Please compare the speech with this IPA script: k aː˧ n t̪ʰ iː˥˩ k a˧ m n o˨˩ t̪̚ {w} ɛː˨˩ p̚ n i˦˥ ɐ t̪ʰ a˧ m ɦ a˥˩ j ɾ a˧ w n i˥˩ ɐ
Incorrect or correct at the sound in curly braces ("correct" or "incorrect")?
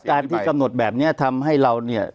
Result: incorrect